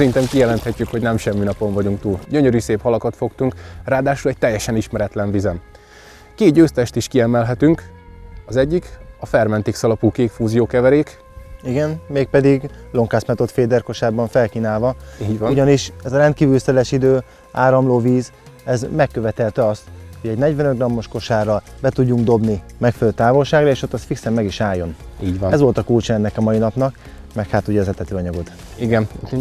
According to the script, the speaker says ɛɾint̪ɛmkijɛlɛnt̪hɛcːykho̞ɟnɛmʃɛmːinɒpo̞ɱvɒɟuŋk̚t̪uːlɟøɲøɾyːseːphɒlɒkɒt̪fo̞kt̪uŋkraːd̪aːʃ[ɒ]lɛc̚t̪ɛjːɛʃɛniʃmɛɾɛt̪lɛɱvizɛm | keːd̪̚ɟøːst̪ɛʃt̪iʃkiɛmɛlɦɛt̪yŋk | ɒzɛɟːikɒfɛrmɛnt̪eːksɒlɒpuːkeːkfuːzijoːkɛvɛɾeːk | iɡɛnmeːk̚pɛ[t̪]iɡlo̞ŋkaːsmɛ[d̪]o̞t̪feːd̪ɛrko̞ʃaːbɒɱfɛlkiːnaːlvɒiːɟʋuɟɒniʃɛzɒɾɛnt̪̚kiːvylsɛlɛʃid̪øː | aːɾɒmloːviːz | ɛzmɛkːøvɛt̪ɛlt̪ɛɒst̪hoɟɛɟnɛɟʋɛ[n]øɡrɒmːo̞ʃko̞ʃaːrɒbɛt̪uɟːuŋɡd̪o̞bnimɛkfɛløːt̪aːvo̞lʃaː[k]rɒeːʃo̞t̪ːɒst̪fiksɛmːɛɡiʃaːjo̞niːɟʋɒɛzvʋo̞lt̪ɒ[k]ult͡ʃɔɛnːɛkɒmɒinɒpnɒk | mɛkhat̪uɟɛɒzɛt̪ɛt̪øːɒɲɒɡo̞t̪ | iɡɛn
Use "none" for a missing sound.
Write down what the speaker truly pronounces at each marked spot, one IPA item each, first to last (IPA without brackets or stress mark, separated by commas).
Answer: u, d̪, t̪, n, ɡ, k